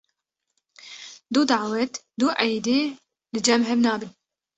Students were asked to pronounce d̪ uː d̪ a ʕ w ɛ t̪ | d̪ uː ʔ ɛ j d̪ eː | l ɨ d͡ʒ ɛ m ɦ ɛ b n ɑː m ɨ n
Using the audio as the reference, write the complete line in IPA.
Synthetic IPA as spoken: d̪ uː d̪ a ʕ w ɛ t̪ | d̪ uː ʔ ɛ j d̪ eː | l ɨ d͡ʒ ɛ m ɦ ɛ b n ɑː b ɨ n